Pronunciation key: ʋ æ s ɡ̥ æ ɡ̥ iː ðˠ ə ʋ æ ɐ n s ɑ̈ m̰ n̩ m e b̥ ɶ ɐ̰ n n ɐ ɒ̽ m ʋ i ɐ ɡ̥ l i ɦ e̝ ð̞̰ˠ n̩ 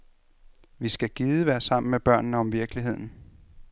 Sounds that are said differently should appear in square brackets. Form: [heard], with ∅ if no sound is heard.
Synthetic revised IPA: ʋ [i] s ɡ̥ æ ɡ̥ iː ðˠ ə ʋ æ ɐ [∅] s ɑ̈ m̰ n̩ m e b̥ ɶ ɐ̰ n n [ə] ɒ̽ m ʋ i ɐ ɡ̥ l i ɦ e̝ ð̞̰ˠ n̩